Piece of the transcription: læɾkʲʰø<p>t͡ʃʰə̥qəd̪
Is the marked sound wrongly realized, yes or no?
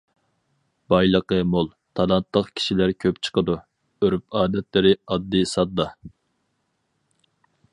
no